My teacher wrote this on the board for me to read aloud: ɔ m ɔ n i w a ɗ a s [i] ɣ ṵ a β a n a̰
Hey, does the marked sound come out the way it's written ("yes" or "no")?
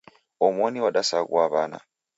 no